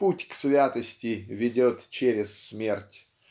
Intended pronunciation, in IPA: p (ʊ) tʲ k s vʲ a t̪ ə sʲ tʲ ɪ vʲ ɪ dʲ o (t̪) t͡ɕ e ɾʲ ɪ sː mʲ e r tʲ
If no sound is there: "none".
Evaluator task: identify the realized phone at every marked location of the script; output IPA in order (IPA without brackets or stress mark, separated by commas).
u, t̪